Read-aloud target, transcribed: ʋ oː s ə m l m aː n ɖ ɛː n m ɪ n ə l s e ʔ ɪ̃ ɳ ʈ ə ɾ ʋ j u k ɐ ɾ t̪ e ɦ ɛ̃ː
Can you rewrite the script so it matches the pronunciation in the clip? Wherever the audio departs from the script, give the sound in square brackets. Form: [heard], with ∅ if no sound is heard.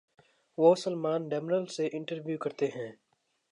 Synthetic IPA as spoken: ʋ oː s ə [∅] l m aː n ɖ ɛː [∅] m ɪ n ə l s e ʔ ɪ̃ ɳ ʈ ə ɾ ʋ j u k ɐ ɾ t̪ e ɦ ɛ̃ː